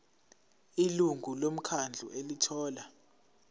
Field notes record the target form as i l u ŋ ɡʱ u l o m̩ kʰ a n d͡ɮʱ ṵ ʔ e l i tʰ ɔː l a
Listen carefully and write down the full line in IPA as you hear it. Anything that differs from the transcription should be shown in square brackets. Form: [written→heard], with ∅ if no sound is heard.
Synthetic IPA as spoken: i l u ŋ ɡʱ u l o m̩ kʰ a n d͡ɮʱ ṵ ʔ e l i tʰ ɔː l a